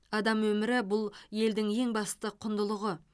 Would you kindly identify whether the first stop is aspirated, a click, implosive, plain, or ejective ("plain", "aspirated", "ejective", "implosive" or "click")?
plain